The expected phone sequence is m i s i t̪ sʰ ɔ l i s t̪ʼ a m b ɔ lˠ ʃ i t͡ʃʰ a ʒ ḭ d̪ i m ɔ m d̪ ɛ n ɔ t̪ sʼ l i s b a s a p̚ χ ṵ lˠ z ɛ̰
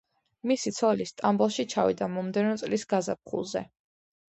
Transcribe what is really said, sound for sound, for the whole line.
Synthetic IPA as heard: m i s i t̪ sʰ ɔ l i s t̪ʼ a m b ɔ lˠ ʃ i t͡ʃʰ a v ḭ d̪ a m ɔ m d̪ ɛ n ɔ t̪ sʼ l i s ɡ a z a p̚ χ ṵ lˠ z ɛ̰